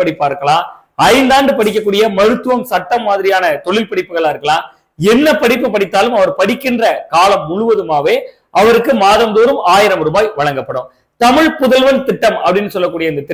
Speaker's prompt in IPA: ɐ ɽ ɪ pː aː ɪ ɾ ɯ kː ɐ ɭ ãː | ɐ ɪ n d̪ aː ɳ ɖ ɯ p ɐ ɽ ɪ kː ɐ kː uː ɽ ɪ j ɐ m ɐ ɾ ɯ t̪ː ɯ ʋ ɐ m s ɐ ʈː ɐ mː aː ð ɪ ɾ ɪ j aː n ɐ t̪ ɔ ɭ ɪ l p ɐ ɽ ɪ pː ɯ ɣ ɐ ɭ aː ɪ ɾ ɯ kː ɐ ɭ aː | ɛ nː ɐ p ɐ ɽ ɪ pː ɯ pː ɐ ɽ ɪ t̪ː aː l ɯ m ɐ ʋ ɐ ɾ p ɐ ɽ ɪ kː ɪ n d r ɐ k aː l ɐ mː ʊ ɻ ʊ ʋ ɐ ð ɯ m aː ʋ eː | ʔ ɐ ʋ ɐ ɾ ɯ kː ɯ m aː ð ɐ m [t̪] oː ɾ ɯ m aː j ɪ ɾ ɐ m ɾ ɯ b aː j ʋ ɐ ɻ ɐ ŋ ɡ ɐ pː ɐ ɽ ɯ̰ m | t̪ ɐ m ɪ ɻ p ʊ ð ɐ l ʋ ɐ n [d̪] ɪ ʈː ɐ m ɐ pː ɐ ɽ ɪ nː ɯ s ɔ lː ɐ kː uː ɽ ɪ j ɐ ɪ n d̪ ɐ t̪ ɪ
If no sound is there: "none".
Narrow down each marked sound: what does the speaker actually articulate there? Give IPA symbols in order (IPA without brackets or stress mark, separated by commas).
d̪, t̪